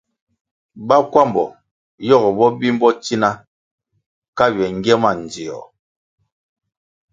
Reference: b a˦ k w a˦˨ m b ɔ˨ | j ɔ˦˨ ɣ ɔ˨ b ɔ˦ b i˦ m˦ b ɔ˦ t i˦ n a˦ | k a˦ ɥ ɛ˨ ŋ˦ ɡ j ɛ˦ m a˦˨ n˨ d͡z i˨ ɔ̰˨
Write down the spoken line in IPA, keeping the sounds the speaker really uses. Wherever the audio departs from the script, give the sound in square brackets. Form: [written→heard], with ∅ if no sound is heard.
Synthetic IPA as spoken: b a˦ k w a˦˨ m b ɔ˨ | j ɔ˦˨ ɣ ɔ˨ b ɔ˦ b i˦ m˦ b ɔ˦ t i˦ n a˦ | k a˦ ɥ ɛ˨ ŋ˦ ɡ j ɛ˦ m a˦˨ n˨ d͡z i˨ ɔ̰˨